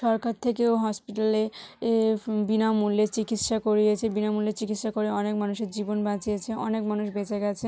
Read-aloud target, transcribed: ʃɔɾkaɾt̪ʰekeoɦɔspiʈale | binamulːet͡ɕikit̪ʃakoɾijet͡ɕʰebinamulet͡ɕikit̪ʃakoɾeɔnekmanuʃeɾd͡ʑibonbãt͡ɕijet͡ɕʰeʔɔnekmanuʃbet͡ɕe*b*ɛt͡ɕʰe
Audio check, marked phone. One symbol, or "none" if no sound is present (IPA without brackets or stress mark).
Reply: ɡ